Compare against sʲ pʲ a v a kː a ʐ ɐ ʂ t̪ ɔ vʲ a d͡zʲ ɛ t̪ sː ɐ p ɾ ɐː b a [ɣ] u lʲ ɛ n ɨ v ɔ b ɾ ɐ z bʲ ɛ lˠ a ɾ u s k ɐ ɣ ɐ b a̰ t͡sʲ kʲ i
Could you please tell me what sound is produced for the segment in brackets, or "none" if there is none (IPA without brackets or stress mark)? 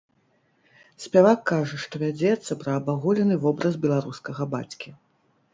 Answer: ɣ